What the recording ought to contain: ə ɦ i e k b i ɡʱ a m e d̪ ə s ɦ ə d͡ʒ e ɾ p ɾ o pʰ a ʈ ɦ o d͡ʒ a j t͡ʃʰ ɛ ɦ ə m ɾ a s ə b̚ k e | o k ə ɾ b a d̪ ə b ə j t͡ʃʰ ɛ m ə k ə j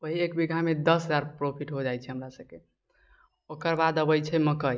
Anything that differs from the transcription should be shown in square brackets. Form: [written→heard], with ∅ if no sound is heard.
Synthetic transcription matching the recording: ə ɦ i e k b i ɡʱ a m e d̪ ə s ɦ ə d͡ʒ [e→a] ɾ p ɾ o pʰ [a→i] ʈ ɦ o d͡ʒ a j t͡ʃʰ ɛ ɦ ə m ɾ a s ə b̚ k e | o k ə ɾ b a d̪ ə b ə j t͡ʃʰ ɛ m ə k ə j